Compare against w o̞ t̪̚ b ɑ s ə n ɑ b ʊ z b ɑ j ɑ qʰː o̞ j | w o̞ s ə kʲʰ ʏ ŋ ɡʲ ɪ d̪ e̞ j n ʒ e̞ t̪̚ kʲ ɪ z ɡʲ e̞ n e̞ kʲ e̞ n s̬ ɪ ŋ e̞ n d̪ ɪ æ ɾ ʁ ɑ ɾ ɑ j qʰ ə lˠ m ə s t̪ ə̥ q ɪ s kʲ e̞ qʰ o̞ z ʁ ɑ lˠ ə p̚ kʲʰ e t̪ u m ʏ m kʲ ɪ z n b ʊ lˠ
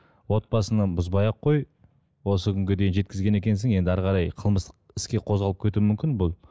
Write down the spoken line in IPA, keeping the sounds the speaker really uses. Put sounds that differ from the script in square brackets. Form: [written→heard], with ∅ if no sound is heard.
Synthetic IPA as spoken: w o̞ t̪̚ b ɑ s ə n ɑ b ʊ z b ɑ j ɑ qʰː o̞ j | w o̞ s ə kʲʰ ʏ ŋ ɡʲ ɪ d̪ e̞ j n ʒ e̞ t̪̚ kʲ ɪ z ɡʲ e̞ n e̞ kʲ e̞ n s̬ ɪ ŋ e̞ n d̪ ɪ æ ɾ ʁ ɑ ɾ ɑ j qʰ ə lˠ m ə s t̪ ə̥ q ɪ s kʲ e̞ qʰ o̞ z ʁ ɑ lˠ ə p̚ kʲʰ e t̪ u m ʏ m kʲ ɪ [z→∅] n b ʊ lˠ

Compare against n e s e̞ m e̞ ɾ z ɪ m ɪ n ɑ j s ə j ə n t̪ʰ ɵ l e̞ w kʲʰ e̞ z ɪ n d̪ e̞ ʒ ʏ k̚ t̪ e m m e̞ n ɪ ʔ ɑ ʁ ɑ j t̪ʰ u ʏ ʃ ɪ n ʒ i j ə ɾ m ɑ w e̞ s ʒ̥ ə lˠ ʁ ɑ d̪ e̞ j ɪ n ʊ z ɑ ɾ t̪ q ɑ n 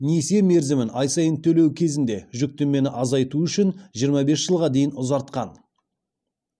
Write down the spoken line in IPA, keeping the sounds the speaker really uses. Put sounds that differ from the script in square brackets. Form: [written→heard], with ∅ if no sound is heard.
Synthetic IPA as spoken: n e s e̞ m e̞ ɾ z ɪ m ɪ n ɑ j s [ə→ɑ] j ə n t̪ʰ ɵ l e̞ w kʲʰ e̞ z ɪ n d̪ e̞ ʒ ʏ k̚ t̪ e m m e̞ n ɪ ʔ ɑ [ʁ→z] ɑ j [t̪ʰ→t̪] u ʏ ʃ ɪ n ʒ i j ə ɾ m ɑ [w→b] e̞ s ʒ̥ ə lˠ ʁ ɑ d̪ e̞ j ɪ n ʊ z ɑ ɾ t̪ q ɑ n

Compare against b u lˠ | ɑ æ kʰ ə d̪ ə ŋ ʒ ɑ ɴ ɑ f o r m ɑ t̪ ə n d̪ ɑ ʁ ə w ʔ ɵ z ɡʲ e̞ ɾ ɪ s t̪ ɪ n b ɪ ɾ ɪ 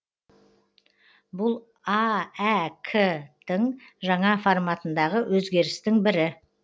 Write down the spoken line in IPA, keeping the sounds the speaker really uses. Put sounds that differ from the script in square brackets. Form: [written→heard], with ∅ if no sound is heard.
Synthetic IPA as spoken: b [u→ʊ] lˠ | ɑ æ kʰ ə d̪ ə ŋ ʒ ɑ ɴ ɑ f o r m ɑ t̪ ə n d̪ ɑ ʁ ə w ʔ ɵ z ɡʲ e̞ ɾ ɪ s t̪ ɪ [n→ŋ] b ɪ ɾ ɪ

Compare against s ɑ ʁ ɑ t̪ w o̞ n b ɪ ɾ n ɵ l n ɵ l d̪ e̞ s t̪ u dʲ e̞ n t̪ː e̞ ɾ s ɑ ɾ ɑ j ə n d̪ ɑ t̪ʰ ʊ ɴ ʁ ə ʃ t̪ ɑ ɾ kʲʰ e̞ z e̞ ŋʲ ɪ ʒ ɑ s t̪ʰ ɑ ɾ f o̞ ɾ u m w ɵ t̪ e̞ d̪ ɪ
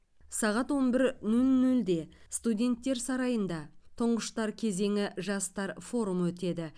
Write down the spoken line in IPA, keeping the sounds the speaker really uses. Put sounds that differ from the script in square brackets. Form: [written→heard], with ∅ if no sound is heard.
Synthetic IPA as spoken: s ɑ ʁ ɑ t̪ w o̞ n b ɪ ɾ n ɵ l n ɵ l d̪ e̞ s t̪ u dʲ e̞ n t̪ː e̞ ɾ s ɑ ɾ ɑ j ə n d̪ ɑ t̪ʰ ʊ ɴ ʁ ə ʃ t̪ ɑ ɾ kʲʰ e̞ z e̞ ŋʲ ɪ ʒ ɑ s [t̪ʰ→t̪] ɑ ɾ f o̞ ɾ u m w ɵ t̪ e̞ d̪ ɪ

